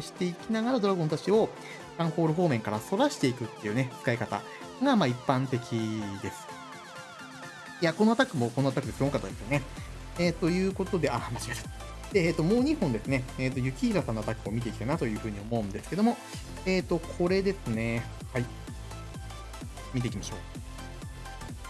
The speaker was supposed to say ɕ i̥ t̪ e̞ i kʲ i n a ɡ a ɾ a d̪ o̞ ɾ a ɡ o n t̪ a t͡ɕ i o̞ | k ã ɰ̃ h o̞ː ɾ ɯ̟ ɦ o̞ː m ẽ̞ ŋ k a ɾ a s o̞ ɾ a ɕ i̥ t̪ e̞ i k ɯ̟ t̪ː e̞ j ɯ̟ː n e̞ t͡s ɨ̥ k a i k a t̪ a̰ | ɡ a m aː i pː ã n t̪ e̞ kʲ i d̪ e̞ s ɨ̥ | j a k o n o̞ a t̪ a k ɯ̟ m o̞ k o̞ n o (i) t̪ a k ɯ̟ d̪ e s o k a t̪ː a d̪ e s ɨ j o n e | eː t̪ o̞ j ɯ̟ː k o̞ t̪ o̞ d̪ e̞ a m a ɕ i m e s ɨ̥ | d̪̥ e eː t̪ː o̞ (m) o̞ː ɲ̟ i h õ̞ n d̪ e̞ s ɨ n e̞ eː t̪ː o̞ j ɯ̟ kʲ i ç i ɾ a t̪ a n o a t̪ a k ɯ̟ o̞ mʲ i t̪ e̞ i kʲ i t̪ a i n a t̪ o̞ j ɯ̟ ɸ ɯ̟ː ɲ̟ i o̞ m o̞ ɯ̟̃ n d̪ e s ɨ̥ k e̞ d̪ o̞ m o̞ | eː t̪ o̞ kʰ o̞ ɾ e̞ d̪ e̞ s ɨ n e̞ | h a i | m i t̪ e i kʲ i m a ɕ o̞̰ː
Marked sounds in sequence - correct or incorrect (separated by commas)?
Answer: incorrect, correct